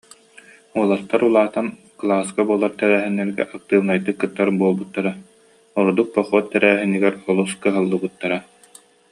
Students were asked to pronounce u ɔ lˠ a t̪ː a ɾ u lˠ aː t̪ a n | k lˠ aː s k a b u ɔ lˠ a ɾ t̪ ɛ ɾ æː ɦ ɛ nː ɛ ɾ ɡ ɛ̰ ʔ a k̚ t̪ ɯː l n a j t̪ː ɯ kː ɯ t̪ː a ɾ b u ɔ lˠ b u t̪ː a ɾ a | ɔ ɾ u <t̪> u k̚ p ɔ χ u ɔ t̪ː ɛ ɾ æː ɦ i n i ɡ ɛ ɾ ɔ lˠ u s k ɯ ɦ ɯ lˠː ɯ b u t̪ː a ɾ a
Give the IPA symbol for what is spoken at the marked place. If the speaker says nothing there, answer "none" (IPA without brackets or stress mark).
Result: d̪